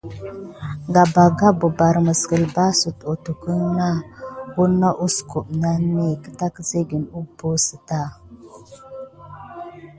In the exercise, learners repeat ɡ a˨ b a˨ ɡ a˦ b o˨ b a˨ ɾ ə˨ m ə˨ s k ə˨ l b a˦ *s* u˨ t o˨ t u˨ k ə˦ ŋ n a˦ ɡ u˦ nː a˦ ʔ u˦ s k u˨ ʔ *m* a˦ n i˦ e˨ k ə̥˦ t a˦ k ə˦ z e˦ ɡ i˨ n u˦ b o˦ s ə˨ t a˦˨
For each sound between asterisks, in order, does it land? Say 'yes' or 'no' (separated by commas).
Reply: yes, no